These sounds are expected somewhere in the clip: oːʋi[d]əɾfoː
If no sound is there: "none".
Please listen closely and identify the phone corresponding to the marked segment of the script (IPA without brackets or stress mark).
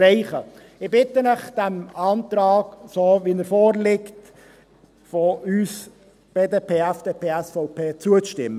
n